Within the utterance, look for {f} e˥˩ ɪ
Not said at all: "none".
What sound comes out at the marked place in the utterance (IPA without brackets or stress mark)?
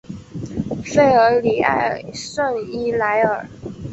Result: f